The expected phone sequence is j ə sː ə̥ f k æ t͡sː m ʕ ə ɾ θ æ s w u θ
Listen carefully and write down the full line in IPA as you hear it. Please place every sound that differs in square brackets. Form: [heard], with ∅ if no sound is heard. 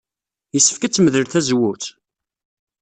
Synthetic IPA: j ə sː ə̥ f k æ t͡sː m [ð] ə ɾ θ æ [z] w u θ

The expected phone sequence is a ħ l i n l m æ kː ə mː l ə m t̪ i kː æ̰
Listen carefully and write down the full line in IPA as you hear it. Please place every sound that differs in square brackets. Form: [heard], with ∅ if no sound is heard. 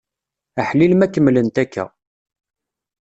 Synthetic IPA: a ħ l i [∅] l m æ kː ə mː l ə [n] t̪ [æ] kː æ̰

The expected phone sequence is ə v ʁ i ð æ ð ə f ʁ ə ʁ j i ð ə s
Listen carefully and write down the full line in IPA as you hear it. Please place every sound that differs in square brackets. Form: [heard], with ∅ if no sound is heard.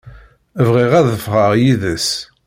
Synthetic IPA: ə v ʁ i [ʁ] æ ð ə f ʁ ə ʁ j i ð ə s

